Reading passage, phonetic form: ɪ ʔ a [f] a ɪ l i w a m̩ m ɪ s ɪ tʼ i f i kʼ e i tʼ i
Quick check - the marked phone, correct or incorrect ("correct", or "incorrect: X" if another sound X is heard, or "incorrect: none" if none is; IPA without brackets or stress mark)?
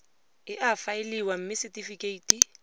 correct